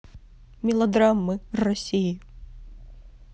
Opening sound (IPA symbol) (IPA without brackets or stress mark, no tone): mʲ